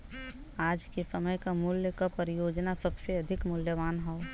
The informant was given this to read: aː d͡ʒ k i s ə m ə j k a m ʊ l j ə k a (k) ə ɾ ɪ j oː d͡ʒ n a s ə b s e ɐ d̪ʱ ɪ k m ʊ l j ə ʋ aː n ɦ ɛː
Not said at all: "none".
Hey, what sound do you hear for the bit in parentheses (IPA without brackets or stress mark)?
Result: p